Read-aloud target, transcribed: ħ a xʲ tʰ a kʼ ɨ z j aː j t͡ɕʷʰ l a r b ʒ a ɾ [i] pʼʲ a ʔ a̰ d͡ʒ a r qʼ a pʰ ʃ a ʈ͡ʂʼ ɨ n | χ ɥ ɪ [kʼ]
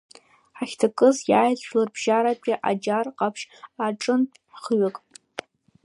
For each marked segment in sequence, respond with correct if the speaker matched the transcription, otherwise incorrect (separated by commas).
incorrect, correct